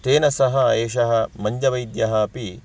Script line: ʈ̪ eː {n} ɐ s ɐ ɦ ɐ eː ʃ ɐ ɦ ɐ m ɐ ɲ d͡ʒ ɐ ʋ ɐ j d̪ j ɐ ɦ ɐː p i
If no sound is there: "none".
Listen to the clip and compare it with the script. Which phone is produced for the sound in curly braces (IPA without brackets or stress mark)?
n